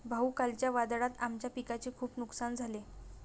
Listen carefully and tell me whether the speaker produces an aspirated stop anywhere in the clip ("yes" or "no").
yes